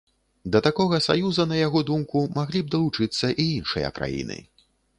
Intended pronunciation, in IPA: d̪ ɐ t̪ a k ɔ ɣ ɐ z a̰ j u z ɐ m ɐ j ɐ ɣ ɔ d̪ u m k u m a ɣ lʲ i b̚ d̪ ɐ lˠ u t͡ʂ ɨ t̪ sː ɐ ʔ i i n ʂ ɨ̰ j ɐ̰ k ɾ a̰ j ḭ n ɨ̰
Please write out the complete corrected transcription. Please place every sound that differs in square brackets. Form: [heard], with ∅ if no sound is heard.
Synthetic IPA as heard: d̪ ɐ t̪ a k ɔ ɣ ɐ [s] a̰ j u z ɐ [n] ɐ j [a] ɣ ɔ d̪ u m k u m a ɣ lʲ i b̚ d̪ ɐ lˠ u t͡ʂ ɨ t̪ sː ɐ ʔ i i n ʂ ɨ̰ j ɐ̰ k ɾ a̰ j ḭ n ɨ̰